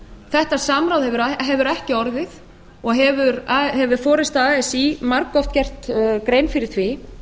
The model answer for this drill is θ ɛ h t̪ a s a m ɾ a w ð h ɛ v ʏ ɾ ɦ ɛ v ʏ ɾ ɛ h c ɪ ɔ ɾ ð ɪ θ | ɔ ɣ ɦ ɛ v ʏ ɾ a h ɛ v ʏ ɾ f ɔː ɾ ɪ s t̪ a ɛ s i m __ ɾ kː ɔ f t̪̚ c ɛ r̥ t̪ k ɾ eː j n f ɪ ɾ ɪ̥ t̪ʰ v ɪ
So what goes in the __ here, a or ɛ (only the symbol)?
a